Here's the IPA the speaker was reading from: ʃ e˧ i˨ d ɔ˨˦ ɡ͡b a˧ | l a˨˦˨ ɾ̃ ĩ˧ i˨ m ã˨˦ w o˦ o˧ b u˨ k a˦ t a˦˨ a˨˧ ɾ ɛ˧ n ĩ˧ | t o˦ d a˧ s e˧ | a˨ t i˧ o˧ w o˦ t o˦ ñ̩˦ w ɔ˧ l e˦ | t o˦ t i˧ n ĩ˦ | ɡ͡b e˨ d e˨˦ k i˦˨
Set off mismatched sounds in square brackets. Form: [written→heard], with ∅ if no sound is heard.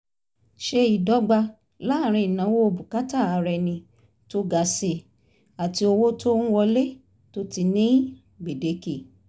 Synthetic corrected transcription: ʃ e˧ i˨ d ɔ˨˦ ɡ͡b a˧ | l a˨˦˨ ɾ̃ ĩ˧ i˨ [m→n] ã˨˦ w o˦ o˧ b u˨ k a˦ t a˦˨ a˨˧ ɾ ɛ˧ n ĩ˧ | t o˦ [d→ɡ] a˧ s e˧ | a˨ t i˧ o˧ w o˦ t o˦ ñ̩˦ w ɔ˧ l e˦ | t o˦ t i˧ n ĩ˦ | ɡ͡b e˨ d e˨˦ k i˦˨